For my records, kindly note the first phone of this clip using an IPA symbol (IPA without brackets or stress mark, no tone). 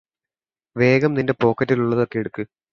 ʋ